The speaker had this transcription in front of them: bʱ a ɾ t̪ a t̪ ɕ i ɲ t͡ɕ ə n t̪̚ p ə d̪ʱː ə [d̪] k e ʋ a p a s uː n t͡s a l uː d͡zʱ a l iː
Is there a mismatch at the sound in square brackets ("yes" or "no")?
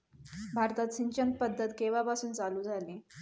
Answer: yes